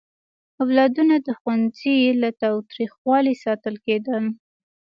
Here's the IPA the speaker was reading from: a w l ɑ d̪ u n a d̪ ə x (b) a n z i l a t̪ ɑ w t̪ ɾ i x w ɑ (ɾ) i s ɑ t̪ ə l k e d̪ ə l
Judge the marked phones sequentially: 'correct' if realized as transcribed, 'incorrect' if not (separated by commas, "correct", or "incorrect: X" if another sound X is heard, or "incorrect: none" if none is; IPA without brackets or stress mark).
incorrect: w, incorrect: l